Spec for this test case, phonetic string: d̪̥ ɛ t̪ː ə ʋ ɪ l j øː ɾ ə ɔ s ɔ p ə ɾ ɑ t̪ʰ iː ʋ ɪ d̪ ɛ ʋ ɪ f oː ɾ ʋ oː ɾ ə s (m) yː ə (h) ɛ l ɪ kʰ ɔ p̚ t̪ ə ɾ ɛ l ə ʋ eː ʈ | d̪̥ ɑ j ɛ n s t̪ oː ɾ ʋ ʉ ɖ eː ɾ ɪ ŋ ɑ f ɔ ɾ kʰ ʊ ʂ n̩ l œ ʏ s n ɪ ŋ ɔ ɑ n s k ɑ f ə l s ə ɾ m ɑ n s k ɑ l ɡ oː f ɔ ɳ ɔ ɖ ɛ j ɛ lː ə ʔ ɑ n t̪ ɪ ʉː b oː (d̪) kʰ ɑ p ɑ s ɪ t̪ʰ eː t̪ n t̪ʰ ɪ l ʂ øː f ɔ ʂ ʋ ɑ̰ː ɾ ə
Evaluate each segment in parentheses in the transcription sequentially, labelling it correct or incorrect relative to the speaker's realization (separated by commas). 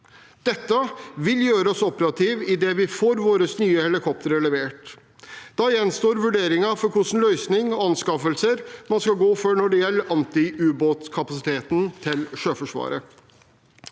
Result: incorrect, correct, incorrect